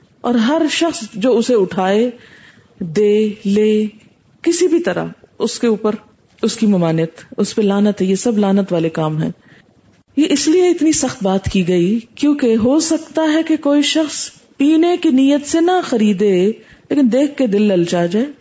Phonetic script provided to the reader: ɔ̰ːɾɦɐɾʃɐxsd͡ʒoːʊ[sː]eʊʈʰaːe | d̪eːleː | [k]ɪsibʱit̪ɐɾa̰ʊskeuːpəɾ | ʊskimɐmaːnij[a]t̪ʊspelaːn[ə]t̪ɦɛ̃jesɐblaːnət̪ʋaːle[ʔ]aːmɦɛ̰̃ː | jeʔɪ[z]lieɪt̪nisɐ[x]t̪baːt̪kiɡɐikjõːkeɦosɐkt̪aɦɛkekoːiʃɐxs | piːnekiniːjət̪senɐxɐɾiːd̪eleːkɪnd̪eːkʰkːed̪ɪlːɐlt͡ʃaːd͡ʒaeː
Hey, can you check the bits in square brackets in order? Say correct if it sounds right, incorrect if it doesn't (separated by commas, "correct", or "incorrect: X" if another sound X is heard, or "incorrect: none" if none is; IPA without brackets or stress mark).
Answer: incorrect: s, correct, incorrect: ə, correct, incorrect: k, incorrect: s, correct